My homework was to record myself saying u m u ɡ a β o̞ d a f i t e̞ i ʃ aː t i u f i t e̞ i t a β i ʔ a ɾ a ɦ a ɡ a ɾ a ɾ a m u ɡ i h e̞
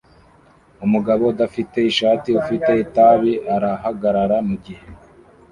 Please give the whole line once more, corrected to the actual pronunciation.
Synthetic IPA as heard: u m u ɡ a β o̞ d a f i t e̞ i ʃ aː t i u f i t e̞ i t a β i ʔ a ɾ a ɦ a ɡ a ɾ a ɾ a m u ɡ i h e̞